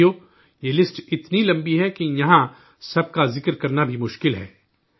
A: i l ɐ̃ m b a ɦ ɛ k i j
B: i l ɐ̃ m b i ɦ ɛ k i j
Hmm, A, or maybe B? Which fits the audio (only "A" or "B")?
B